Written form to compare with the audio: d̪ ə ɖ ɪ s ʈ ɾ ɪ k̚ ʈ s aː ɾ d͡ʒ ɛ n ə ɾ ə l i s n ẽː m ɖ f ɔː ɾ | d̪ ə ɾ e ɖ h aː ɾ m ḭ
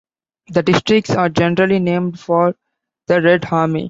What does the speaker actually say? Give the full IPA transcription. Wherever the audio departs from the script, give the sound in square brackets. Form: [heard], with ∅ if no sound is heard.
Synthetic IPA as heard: d̪ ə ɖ ɪ s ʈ ɾ ɪ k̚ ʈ s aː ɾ d͡ʒ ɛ n ə ɾ ə l i [∅] n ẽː m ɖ f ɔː ɾ | d̪ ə ɾ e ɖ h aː ɾ m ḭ